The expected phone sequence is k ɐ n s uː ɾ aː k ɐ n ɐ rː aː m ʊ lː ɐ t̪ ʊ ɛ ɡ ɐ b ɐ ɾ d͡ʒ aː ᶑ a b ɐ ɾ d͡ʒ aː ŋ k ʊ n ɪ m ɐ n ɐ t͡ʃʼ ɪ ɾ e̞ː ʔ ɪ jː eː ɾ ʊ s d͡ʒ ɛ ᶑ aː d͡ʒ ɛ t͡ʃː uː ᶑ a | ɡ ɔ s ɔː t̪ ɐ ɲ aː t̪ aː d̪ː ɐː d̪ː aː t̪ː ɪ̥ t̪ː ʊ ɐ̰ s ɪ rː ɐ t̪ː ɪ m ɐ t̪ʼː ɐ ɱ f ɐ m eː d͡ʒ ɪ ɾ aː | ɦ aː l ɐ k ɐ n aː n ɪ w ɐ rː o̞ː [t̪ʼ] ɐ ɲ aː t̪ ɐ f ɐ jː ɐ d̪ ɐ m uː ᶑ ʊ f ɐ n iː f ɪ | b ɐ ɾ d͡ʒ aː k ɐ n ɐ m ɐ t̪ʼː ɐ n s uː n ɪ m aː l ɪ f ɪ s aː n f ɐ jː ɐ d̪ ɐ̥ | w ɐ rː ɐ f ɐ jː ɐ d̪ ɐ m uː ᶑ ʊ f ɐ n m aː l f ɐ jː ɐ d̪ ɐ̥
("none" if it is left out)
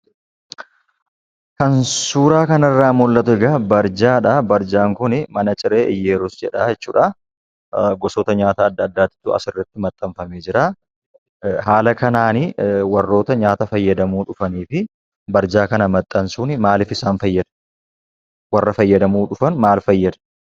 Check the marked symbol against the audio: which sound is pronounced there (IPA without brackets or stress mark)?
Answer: t̪